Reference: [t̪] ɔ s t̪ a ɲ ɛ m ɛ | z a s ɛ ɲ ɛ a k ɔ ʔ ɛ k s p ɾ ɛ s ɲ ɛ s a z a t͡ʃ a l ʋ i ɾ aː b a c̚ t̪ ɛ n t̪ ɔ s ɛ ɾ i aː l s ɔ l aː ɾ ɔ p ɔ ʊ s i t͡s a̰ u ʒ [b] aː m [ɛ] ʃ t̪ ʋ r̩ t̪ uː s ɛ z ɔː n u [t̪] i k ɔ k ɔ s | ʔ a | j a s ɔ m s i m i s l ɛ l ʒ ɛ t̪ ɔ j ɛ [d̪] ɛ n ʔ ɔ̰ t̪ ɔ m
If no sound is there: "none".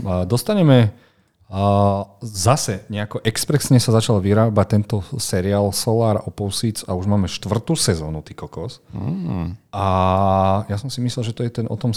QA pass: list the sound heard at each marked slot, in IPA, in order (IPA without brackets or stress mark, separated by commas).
d̪, m, ɛ, t̪, t̪